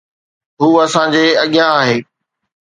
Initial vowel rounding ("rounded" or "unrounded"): rounded